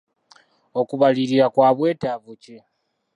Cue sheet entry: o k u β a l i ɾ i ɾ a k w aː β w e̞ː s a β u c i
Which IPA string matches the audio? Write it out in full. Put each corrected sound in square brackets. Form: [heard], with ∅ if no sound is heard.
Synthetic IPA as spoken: o k u β a l i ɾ i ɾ a k w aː β w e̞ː [t] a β u c i

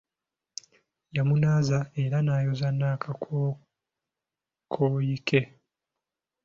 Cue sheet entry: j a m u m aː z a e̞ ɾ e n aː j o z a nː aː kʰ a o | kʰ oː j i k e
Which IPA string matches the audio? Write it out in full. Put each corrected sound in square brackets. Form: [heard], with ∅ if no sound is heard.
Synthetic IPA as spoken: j a m u [n] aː z a e̞ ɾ [a] n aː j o z a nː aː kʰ a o | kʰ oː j i k e

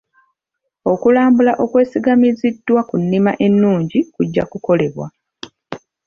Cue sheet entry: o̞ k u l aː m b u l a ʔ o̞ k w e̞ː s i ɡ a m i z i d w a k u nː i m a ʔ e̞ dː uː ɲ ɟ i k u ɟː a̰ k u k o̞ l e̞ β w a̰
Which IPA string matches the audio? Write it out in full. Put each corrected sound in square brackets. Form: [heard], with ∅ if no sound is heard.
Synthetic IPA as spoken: o̞ k u l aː m b u l a ʔ o̞ k w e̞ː s i ɡ a m i z i d w a k u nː i m a ʔ e̞ [nː] uː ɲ ɟ i k u ɟː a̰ k u k o̞ l e̞ β w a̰

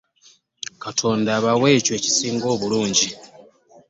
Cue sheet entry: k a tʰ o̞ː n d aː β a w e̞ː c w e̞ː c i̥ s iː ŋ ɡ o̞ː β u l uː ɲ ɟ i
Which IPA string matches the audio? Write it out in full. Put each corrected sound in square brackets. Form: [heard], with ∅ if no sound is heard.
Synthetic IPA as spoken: k a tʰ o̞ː n d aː β a w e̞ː c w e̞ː c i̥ s iː ŋ ɡ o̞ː β u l uː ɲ ɟ i

